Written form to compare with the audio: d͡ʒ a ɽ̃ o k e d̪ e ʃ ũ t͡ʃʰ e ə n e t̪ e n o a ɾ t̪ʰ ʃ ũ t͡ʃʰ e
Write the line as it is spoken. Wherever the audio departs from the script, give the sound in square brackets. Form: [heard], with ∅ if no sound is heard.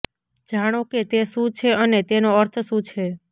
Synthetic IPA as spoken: d͡ʒ a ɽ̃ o k e [t̪] e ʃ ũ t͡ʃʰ e ə n e t̪ e n o [ə] ɾ t̪ʰ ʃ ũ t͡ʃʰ e